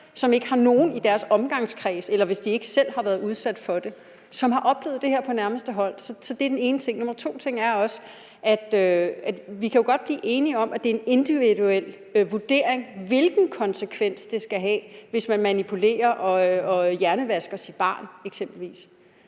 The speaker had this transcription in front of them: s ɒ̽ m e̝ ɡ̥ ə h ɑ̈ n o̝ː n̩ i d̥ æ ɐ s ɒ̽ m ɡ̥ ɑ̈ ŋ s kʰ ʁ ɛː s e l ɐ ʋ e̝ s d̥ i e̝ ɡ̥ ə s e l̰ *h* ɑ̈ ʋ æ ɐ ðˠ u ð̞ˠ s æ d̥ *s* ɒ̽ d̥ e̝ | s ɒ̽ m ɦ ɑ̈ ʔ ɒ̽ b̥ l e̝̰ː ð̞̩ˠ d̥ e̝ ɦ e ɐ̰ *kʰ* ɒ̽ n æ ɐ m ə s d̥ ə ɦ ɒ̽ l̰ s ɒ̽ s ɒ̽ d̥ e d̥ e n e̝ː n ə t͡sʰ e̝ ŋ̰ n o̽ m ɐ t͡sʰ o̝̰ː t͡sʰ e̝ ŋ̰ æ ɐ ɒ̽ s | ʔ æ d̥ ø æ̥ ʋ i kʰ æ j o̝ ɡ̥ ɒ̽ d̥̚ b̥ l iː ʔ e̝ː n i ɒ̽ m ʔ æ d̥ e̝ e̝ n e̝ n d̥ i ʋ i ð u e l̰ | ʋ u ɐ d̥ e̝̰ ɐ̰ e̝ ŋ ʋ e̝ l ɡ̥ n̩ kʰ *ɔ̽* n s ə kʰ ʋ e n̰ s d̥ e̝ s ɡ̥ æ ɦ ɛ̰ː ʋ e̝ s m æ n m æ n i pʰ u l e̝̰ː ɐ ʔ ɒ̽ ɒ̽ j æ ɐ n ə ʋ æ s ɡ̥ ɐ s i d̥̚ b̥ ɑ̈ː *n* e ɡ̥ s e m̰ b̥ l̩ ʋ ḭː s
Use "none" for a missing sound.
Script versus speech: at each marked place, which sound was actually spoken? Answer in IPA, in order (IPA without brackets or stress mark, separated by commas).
h, f, pʰ, ɒ̽, n